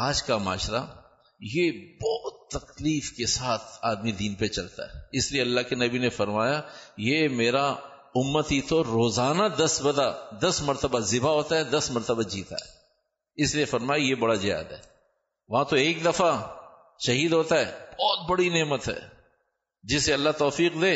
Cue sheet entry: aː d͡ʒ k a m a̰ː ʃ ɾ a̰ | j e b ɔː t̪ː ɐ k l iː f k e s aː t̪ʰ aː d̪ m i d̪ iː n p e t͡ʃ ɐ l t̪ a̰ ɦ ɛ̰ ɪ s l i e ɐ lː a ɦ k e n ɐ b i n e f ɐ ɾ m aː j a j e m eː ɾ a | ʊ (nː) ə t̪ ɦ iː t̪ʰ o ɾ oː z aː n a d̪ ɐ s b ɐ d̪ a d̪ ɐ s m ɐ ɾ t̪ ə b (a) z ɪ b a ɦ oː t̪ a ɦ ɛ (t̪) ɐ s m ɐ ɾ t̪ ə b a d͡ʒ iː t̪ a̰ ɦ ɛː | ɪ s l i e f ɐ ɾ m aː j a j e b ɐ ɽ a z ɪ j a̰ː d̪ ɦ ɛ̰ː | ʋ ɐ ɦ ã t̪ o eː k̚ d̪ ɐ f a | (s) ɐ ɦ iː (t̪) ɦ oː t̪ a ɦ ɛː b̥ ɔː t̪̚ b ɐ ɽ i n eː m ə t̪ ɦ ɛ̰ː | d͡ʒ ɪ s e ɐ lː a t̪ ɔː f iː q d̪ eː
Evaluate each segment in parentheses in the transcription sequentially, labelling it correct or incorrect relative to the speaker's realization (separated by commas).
incorrect, correct, incorrect, incorrect, incorrect